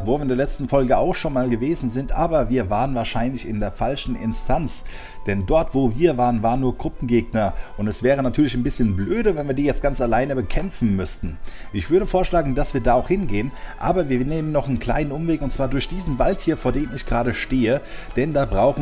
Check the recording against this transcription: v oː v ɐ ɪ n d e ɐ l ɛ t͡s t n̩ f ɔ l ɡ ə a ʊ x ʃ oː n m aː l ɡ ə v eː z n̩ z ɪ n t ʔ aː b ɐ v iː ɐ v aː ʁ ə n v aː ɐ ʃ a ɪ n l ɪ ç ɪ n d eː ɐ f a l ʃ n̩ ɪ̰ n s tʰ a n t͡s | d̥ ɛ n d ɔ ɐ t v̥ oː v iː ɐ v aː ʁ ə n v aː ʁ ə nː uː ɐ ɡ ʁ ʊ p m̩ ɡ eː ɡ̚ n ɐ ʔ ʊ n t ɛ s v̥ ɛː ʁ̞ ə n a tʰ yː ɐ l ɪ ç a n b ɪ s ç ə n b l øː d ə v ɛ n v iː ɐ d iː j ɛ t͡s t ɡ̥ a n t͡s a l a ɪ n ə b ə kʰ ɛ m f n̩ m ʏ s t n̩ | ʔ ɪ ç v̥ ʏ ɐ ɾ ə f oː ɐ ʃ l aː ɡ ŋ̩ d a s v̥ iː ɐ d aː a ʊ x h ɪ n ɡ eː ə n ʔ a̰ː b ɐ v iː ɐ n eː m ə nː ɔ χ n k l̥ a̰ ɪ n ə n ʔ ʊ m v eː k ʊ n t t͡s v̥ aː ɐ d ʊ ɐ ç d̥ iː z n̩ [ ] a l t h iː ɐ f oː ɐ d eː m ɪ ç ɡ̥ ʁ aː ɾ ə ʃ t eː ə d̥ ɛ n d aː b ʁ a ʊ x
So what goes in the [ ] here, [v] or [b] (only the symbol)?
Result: v